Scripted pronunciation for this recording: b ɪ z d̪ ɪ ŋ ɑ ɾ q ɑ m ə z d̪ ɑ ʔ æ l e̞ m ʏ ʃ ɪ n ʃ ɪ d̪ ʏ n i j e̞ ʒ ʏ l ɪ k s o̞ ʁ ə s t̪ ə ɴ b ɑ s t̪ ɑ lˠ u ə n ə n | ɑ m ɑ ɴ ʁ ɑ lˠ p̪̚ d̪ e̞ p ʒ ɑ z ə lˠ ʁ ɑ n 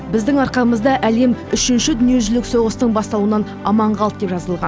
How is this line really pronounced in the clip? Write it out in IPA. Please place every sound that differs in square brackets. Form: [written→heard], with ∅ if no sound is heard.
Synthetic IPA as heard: b ɪ z d̪ ɪ ŋ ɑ ɾ q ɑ m ə z d̪ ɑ ʔ æ l e̞ m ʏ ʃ ɪ n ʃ ɪ d̪ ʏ n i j e̞ ʒ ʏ l ɪ k s o̞ ʁ ə s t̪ ə ɴ b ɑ s t̪ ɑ lˠ u ə n [ə→ɑ] n | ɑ m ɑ ɴ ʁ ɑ lˠ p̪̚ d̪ e̞ p ʒ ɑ z ə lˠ ʁ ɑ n